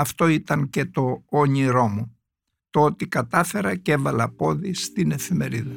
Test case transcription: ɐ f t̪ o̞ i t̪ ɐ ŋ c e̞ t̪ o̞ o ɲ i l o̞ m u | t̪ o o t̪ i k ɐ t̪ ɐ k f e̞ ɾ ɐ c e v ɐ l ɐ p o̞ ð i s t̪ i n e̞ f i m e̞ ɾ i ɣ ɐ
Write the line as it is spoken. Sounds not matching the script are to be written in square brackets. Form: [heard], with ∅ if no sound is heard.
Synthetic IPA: ɐ f t̪ o̞ i t̪ ɐ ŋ c e̞ t̪ o̞ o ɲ i [ɾ] o̞ m u | t̪ o o t̪ i k ɐ t̪ ɐ [∅] f e̞ ɾ ɐ c e v ɐ l ɐ p o̞ ð i s t̪ i n e̞ f i m e̞ ɾ i [ð] ɐ